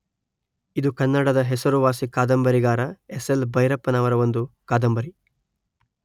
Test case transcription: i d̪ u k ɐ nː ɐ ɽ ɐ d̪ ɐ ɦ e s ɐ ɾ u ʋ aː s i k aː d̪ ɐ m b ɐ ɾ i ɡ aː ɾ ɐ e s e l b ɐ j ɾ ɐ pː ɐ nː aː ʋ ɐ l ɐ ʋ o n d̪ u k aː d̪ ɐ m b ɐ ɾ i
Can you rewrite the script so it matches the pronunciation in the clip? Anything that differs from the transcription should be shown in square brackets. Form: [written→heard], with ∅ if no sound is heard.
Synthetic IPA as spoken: i d̪ u k ɐ nː ɐ ɽ ɐ d̪ ɐ ɦ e s ɐ ɾ u ʋ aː s i k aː d̪ ɐ m b ɐ ɾ i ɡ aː ɾ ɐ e s e l b ɐ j ɾ ɐ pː ɐ [nː→n] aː ʋ ɐ [l→ɾ] ɐ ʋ o n d̪ u k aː d̪ ɐ m b ɐ ɾ i